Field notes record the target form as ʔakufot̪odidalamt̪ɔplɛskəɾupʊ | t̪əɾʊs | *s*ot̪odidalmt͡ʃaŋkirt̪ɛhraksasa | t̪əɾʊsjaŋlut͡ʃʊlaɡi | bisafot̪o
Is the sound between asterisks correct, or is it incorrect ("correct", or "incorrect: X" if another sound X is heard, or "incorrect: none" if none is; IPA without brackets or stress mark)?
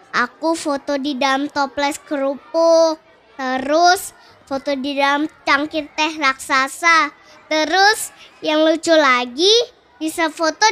incorrect: f